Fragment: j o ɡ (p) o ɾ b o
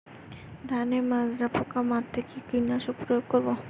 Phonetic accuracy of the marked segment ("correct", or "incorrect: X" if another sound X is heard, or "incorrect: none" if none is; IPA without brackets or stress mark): incorrect: k